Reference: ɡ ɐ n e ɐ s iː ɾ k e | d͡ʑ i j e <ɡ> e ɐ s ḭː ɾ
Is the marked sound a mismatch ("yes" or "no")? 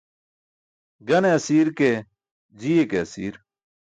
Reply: yes